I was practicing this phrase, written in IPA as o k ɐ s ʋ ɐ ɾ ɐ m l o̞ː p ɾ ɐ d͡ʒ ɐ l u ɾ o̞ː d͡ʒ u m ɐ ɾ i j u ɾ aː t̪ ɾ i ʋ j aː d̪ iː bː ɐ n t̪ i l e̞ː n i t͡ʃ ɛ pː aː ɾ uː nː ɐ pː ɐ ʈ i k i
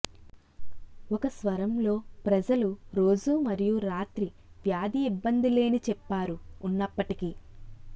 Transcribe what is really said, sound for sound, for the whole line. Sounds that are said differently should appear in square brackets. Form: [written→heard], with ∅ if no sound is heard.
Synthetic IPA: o k ɐ s ʋ ɐ ɾ ɐ m l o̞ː p ɾ ɐ d͡ʒ ɐ l u ɾ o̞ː d͡ʒ u m ɐ ɾ i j u ɾ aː t̪ ɾ i ʋ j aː d̪ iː bː ɐ n [t̪→d̪] i l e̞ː n i t͡ʃ ɛ pː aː ɾ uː nː ɐ pː ɐ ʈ i k i